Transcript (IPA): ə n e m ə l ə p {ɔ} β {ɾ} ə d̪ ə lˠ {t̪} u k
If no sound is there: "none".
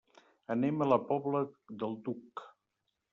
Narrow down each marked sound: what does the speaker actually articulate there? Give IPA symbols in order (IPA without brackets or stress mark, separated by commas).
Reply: ɔ, l, d̪